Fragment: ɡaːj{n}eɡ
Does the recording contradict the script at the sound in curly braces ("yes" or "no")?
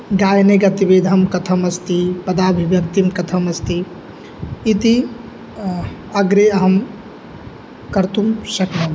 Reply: no